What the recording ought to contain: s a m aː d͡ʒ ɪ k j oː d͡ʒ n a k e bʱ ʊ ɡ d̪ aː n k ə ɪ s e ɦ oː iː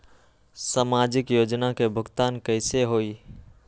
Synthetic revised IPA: s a m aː d͡ʒ ɪ k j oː d͡ʒ n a k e bʱ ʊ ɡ t̪ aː n k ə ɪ s e ɦ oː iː